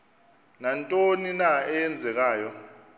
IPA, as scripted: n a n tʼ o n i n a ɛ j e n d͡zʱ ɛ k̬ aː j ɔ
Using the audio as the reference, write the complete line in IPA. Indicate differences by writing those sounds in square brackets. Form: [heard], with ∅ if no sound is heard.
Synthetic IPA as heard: n a n tʼ o n i n a ɛ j [ɛ] n d͡zʱ ɛ k̬ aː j ɔ